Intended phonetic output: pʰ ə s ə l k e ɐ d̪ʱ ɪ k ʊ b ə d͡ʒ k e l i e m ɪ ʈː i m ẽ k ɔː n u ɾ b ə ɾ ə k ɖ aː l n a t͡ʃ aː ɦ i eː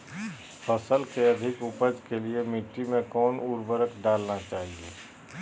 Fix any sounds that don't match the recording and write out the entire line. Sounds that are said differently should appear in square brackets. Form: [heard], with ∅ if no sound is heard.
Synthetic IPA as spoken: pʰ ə s ə l k e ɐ d̪ʱ ɪ k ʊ [p] ə d͡ʒ k e l i e m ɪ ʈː i m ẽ k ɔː n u ɾ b ə ɾ ə k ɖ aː l n a t͡ʃ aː ɦ i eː